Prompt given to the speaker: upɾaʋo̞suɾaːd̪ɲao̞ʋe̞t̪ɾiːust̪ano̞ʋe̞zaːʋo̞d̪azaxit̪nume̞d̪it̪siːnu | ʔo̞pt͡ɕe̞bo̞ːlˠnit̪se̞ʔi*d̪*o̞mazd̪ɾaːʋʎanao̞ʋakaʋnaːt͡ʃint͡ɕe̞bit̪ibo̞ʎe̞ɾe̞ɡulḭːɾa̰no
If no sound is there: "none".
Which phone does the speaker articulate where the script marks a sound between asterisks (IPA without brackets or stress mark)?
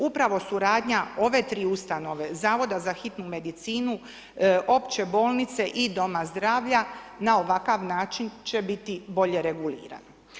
d̪